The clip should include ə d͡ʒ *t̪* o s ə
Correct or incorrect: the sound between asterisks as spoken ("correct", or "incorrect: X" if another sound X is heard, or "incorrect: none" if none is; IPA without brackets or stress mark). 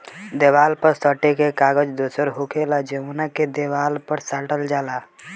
incorrect: d̪